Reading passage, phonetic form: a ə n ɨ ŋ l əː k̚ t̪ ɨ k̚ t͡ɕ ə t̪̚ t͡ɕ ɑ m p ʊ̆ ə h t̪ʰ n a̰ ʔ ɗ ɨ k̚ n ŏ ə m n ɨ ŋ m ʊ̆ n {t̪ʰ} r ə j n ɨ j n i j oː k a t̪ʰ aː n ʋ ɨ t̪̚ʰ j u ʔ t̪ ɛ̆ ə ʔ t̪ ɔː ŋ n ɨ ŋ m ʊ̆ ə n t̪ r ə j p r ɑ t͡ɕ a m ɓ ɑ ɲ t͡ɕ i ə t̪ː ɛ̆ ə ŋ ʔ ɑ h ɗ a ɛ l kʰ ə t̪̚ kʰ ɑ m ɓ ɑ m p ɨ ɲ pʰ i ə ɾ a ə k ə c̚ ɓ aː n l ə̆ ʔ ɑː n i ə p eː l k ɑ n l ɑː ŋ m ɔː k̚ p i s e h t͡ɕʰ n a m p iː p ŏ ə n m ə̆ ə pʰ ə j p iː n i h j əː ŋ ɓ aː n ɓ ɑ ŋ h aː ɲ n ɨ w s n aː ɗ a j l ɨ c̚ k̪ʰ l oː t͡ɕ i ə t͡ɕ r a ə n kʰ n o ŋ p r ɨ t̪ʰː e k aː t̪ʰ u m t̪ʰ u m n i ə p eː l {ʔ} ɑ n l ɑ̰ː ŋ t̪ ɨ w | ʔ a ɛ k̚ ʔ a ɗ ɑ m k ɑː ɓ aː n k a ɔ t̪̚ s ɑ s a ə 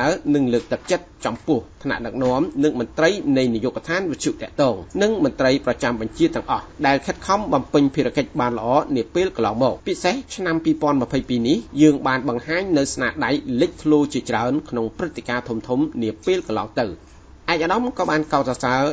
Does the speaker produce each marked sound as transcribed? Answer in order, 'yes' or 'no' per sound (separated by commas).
no, no